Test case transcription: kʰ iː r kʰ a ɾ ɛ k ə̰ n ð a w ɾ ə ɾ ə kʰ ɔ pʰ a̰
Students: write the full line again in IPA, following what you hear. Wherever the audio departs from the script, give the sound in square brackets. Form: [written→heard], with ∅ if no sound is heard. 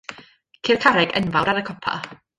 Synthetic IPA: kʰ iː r kʰ a ɾ ɛ [k→ɡ] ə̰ n [ð→v] a w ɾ [ə→a] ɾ ə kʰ ɔ pʰ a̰